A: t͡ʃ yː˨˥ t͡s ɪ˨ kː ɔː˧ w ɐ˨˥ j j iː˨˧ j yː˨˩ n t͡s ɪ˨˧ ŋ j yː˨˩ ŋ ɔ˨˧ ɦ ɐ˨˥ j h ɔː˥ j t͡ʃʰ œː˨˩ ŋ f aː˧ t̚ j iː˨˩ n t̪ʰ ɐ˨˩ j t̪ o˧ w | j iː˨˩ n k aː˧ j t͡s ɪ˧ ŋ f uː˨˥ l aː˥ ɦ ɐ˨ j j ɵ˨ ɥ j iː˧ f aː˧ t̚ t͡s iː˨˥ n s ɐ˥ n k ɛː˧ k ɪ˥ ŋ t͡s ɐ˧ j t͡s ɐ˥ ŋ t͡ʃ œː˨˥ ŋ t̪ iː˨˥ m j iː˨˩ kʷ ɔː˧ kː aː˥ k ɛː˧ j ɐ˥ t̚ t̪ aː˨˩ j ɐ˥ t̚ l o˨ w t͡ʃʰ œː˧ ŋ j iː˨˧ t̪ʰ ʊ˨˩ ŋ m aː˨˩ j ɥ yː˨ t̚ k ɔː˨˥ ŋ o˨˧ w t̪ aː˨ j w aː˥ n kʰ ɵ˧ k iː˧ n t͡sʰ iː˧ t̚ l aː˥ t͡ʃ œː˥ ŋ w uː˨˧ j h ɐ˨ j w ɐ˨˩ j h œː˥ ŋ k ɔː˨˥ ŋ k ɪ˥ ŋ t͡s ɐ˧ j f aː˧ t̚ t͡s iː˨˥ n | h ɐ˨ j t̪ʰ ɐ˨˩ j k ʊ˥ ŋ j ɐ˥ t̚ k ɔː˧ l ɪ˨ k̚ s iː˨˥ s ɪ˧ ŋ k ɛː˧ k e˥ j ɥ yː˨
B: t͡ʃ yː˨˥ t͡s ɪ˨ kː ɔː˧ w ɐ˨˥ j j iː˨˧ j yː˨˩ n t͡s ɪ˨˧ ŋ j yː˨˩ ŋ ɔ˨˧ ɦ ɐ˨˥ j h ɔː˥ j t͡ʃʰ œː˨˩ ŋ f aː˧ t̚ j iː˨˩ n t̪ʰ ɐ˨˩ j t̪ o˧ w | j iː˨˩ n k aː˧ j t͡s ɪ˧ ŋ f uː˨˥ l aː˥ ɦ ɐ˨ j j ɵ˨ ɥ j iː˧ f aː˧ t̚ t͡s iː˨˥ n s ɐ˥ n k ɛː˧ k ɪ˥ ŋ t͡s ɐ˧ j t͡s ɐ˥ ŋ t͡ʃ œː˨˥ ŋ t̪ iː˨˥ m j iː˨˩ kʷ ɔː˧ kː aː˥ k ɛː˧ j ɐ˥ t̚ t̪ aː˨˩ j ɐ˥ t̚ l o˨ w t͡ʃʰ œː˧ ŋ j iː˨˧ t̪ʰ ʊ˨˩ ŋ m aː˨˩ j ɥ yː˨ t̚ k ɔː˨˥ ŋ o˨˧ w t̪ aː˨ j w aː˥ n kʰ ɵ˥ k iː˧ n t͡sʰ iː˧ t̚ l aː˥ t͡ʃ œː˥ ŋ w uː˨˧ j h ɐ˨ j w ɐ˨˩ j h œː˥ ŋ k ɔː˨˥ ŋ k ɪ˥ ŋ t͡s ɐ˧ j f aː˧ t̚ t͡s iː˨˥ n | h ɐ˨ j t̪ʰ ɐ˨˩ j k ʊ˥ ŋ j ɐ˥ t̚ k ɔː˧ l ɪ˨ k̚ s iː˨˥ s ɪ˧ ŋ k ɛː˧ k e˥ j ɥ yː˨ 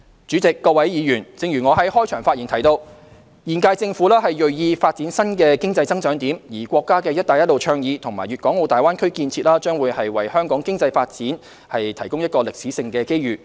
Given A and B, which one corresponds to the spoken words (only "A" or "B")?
B